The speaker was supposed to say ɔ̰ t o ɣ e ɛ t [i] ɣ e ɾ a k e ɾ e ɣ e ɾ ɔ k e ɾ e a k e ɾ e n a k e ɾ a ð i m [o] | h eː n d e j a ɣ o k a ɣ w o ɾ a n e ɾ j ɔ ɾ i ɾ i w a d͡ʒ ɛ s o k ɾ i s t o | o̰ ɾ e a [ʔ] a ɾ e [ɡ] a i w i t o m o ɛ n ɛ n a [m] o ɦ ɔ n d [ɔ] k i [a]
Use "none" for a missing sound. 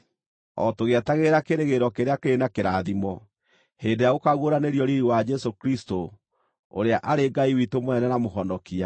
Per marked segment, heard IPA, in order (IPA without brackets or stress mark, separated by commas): a, ɔ, ʔ, ɡ, m, ɔ, a